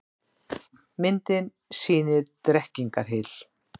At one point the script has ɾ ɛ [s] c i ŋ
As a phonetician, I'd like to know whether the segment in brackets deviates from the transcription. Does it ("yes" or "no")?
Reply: yes